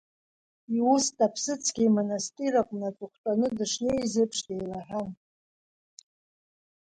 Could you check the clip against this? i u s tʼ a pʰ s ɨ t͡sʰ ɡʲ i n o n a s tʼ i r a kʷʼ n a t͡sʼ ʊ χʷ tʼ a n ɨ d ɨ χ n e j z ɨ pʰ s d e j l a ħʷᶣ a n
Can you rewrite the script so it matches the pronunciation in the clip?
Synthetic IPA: i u s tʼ a pʰ s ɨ t͡sʰ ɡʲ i m o n a s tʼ i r a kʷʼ n a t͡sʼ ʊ χʷ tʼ a n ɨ d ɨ ʂ n e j z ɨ pʰ ʂ d e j l a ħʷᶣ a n